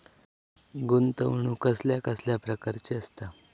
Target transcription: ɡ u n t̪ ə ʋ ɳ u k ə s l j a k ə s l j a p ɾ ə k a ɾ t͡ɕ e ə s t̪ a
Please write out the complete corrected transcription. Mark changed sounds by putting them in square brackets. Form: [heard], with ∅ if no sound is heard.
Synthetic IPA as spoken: ɡ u n t̪ ə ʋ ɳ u k ə s l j a k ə s l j a p ɾ ə k a ɾ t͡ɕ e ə s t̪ a